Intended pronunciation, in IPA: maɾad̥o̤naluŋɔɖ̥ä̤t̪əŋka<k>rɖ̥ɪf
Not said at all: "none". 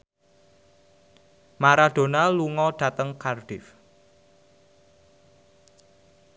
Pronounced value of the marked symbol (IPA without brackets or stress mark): none